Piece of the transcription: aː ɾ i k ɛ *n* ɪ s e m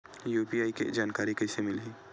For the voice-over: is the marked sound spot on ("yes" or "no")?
no